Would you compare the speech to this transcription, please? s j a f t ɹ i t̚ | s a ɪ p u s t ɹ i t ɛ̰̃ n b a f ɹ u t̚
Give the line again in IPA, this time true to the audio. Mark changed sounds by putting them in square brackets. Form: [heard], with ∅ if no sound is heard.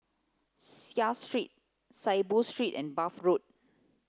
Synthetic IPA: s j a [s] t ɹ i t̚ | s a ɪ [b] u s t ɹ i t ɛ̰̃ n b a f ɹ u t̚

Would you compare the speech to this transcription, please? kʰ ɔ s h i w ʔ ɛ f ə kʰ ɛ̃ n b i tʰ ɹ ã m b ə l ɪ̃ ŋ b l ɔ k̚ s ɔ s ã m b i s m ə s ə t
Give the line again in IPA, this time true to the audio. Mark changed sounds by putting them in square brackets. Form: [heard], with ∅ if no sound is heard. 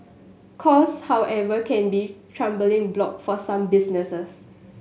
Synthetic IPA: kʰ ɔ s h [a] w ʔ ɛ [v] ə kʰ ɛ̃ n b i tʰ ɹ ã m b ə l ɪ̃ ŋ b l ɔ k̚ [f] ɔ s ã m b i s [n] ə s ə [s]

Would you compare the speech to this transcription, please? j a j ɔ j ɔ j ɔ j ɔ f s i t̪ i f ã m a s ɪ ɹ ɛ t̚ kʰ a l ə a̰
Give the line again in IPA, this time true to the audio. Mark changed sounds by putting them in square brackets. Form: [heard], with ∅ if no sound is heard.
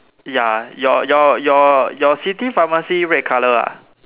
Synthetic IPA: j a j ɔ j ɔ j ɔ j ɔ [∅] s i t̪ i f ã m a s [i] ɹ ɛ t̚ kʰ a l ə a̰

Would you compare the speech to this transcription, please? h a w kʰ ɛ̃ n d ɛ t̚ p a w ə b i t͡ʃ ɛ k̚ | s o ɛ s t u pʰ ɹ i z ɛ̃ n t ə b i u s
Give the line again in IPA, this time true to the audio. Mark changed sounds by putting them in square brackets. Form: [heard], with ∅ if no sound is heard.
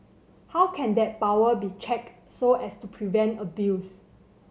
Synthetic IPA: h a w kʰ ɛ̃ n d ɛ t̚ p a w ə b i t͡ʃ ɛ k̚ | s o ɛ s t u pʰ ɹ i [v] ɛ̃ n t ə b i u s

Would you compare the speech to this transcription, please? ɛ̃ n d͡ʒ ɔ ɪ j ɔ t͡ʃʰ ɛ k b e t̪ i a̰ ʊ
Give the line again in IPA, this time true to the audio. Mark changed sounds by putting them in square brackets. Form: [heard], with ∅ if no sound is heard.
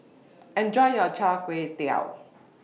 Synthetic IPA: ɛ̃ n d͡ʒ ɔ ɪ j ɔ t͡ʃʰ [a] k [w] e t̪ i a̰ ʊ

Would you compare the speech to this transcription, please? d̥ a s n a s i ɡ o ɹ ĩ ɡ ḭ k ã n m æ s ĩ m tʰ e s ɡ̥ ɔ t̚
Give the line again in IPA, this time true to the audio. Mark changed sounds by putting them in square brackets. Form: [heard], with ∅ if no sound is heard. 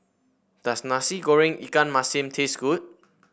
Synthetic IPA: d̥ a s n a s i ɡ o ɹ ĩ [ŋ] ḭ k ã n m [a] s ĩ m tʰ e s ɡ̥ [u] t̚

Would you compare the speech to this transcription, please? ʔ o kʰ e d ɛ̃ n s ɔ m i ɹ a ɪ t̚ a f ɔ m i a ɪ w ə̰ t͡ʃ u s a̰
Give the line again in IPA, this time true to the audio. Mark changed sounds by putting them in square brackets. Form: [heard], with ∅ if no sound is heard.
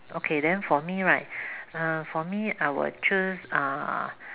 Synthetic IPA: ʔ o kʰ e d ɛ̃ n [f] ɔ m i ɹ a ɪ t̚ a f ɔ m i a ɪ w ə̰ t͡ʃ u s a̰

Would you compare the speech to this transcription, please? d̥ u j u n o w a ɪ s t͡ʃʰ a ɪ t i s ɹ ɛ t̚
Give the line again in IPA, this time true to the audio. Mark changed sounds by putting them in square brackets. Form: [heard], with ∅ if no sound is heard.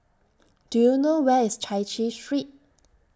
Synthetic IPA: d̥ u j u n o w [ɛ] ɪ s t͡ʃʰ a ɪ [t͡ʃ] i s ɹ [i] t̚

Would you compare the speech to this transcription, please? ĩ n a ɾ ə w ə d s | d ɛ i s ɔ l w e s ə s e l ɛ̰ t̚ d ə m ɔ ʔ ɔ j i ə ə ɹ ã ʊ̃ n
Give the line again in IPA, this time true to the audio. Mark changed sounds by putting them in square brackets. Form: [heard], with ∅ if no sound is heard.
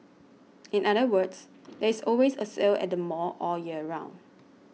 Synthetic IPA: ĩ n a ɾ ə w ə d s | d ɛ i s ɔ l w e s ə s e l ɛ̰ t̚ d ə m ɔ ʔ ɔ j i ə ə ɹ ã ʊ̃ n

